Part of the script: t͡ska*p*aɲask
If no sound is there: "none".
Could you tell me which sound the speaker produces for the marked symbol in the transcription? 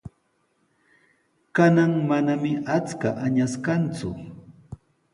ʔ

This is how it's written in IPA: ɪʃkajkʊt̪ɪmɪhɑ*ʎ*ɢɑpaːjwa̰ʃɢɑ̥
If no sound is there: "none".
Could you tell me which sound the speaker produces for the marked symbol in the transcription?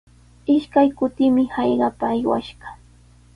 j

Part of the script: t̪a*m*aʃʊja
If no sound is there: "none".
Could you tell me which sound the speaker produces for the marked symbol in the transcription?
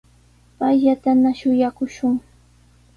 n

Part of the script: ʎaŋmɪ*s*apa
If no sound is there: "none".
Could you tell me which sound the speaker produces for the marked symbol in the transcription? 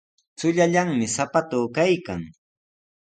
s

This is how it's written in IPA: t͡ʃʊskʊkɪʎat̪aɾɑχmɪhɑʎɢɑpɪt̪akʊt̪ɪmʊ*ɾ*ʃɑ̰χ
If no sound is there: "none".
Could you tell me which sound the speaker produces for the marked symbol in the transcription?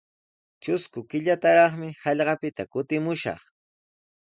none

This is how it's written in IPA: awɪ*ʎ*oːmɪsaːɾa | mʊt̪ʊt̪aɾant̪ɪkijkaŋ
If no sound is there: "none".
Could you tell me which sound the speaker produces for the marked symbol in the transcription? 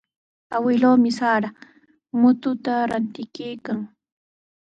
l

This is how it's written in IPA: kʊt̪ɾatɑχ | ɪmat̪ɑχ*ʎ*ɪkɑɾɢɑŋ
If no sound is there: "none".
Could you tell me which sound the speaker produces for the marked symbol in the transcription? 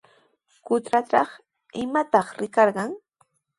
ɾ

